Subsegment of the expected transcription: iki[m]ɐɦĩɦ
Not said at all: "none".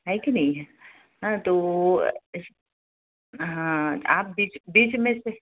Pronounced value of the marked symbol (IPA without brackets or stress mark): n